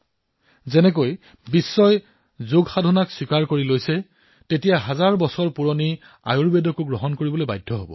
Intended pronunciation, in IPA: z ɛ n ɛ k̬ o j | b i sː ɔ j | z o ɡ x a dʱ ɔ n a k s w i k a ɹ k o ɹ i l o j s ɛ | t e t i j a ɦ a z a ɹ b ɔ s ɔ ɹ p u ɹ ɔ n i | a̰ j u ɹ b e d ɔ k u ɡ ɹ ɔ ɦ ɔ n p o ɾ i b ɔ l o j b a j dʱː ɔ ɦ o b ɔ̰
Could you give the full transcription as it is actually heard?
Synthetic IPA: z ɛ n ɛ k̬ o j | b i sː ɔ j | z o ɡ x a dʱ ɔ n a k s w i k a ɹ k o ɹ i l o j s ɛ | t e t i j a ɦ a z a ɹ b ɔ s ɔ ɹ p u ɹ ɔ n i | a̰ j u ɹ b e d ɔ k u ɡ ɹ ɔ ɦ ɔ n k o ɹ i b ɔ l o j b a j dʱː ɔ ɦ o b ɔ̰